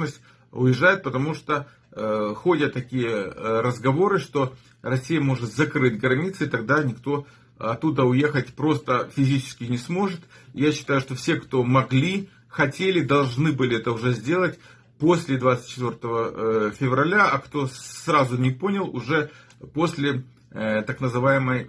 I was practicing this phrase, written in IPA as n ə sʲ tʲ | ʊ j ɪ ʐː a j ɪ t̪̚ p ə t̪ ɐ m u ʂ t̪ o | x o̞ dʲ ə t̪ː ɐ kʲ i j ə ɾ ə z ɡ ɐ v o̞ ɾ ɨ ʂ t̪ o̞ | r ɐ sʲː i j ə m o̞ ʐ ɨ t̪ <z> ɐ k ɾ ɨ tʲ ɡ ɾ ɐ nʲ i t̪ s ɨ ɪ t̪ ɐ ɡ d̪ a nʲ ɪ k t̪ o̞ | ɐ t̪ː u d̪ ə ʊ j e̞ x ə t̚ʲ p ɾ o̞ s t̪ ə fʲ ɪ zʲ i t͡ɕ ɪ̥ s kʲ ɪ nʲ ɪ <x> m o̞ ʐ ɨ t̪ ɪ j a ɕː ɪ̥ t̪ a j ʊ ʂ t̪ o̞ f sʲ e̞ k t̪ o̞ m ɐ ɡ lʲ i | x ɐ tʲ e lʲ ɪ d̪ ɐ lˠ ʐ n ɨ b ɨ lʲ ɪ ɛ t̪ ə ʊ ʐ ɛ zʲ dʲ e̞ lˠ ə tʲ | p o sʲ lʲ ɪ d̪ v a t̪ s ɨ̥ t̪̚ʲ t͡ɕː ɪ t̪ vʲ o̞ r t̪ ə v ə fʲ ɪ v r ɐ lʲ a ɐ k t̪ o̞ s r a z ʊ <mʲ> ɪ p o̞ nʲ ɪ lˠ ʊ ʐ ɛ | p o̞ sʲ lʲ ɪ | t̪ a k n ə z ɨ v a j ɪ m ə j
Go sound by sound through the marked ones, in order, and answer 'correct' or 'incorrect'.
correct, incorrect: s, incorrect: nʲ

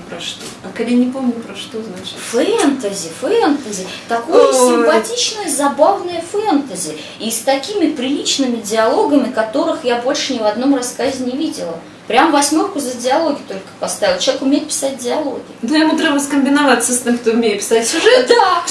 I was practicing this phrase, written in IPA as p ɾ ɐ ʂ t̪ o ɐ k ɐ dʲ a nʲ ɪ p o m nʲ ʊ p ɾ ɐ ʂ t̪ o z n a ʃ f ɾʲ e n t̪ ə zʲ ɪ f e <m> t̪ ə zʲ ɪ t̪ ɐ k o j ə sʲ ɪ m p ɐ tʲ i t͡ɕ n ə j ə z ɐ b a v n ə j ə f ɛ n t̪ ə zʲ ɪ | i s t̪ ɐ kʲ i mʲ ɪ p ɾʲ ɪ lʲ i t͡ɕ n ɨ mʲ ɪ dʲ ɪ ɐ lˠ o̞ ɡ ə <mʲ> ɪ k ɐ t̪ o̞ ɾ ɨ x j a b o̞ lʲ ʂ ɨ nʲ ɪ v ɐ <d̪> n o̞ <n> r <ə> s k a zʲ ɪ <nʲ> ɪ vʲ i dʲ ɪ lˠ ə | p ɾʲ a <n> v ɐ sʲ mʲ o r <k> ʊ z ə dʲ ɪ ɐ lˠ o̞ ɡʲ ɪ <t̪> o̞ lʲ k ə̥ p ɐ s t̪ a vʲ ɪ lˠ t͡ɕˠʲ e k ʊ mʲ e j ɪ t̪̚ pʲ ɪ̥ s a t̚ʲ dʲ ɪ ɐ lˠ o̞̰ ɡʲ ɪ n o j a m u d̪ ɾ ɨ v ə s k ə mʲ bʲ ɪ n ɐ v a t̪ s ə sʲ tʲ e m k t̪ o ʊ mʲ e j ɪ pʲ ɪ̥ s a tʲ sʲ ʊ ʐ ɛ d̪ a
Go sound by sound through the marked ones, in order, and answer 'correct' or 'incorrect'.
incorrect: n, correct, correct, incorrect: m, incorrect: ɐ, correct, incorrect: m, correct, correct

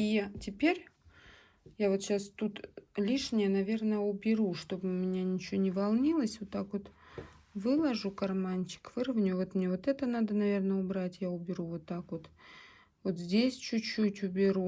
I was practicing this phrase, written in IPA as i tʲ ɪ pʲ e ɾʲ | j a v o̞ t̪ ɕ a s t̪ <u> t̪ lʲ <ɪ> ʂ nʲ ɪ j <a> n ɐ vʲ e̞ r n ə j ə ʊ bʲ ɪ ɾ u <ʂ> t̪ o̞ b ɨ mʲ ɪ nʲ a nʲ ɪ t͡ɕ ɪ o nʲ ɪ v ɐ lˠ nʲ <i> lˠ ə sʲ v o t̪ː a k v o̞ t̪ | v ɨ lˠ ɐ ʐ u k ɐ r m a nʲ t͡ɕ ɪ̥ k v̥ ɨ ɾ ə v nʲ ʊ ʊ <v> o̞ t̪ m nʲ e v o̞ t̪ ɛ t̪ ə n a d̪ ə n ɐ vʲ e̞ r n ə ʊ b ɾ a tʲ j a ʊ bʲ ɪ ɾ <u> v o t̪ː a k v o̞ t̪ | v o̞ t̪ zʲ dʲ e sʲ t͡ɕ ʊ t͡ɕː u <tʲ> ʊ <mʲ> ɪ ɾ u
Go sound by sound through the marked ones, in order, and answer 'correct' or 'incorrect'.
correct, incorrect: i, incorrect: ə, correct, correct, correct, correct, correct, incorrect: bʲ

